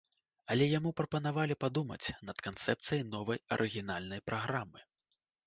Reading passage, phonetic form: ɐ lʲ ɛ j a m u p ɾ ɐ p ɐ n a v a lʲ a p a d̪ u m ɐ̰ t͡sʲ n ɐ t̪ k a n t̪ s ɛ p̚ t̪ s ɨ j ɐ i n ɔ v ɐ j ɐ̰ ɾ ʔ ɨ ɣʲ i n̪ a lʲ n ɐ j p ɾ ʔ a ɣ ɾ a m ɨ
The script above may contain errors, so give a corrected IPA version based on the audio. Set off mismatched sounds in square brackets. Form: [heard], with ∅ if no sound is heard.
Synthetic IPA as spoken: ɐ lʲ ɛ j a m u p ɾ ɐ p ɐ n a v a lʲ [i] p a d̪ u m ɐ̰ t͡sʲ n ɐ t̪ k a n t̪ s ɛ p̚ t̪ s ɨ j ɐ [j] n ɔ v ɐ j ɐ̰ ɾ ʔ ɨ ɣʲ i n̪ a lʲ n ɐ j p ɾ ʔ a ɣ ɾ a m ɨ